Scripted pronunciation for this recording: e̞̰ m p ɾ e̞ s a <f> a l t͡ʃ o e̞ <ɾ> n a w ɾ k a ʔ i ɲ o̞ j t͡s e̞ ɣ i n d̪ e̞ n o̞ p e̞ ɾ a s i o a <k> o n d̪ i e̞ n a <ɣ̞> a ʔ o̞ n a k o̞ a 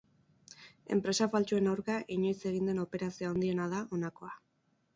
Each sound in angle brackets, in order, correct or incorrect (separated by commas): correct, incorrect, incorrect, incorrect